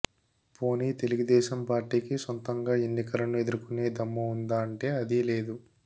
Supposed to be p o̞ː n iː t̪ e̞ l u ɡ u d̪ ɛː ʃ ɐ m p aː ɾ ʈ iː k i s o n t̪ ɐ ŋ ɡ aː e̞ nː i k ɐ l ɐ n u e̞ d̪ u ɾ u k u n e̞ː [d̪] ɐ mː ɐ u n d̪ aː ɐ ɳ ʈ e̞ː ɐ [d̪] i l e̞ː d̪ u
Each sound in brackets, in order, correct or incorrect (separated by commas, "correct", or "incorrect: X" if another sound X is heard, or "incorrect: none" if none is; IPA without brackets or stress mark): correct, correct